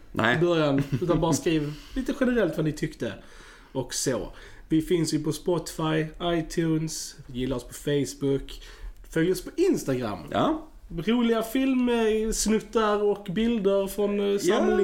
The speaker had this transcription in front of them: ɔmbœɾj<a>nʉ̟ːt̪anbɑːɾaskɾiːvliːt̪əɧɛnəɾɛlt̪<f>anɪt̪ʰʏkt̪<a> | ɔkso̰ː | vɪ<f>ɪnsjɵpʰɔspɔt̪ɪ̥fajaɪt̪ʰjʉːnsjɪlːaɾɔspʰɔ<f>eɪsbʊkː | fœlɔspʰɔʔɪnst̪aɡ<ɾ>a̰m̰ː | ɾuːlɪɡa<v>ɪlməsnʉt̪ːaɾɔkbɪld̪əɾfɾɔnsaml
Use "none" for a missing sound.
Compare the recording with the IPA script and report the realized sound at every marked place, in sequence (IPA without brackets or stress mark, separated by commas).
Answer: a, v, ə, f, f, ɾ, f